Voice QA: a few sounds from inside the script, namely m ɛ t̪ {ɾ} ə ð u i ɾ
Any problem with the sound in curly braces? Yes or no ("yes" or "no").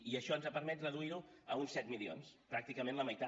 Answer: yes